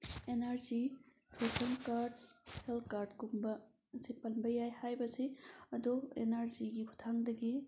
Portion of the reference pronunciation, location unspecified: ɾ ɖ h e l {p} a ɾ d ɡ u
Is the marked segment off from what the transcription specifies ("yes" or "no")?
yes